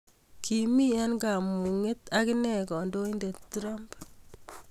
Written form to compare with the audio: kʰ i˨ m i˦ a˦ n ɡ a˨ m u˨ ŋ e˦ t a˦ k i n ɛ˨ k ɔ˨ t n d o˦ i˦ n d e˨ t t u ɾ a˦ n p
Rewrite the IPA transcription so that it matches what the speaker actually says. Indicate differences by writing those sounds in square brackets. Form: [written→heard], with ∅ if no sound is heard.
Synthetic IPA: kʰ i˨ m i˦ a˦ n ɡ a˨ m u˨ ŋ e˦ t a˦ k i n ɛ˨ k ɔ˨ [t→∅] n d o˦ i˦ n d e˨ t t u ɾ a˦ [n→m] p